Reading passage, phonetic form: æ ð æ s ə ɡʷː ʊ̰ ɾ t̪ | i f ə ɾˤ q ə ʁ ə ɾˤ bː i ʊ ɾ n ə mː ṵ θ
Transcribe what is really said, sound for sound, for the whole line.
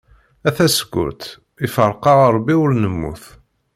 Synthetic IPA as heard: æ θ æ s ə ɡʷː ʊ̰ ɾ t̪ | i f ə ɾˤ q ɑ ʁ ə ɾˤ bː i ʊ ɾ n ə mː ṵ θ